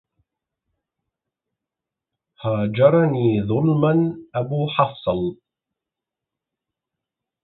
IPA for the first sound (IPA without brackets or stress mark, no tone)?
h